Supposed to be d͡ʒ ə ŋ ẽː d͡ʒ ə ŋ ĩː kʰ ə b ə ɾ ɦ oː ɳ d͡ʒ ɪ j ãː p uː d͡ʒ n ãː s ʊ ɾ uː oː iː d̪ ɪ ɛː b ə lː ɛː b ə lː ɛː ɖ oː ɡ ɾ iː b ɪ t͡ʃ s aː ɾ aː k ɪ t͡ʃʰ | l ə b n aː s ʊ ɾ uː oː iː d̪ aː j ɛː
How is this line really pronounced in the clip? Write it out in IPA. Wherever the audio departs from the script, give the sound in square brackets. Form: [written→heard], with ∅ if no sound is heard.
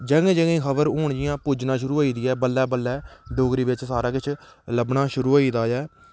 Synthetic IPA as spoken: d͡ʒ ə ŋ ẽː d͡ʒ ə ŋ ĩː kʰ ə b ə ɾ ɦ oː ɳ d͡ʒ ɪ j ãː p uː d͡ʒ n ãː [s→ʃ] ʊ ɾ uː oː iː d̪ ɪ ɛː b ə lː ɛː b ə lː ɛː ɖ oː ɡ ɾ iː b ɪ t͡ʃ s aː ɾ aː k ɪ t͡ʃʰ | l ə b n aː [s→ʃ] ʊ ɾ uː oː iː d̪ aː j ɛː